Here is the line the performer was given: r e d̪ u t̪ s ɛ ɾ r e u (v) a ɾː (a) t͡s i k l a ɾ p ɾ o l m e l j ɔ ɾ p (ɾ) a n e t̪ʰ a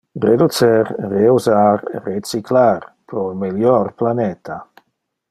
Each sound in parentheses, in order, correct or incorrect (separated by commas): incorrect, incorrect, incorrect